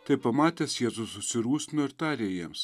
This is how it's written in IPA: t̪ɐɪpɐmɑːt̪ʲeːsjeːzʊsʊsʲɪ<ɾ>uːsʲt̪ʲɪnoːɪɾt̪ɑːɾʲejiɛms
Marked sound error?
no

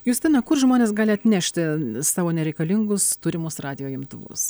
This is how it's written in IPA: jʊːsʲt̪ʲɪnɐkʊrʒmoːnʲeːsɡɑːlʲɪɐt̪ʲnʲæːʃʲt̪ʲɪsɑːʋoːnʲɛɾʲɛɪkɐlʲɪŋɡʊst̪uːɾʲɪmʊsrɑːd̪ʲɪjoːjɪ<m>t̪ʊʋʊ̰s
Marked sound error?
no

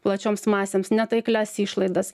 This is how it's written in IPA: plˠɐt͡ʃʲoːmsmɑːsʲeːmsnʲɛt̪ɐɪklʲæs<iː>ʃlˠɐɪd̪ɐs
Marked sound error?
no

